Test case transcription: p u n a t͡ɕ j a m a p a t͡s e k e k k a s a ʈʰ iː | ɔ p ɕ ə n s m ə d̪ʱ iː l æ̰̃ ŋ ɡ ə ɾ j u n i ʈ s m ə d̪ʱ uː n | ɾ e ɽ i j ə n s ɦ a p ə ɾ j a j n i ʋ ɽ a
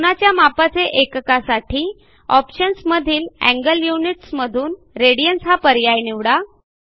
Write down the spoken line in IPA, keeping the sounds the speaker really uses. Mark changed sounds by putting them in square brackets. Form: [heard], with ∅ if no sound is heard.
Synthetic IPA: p u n a t͡ɕ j a m a p a t͡s e [ʔ] e k k a s a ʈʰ iː | ɔ p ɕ ə n s m ə d̪ʱ iː l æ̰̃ ŋ ɡ ə [l] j u n i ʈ s m ə d̪ʱ uː n | ɾ e ɽ i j ə n s ɦ a p ə ɾ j a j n i ʋ ɽ a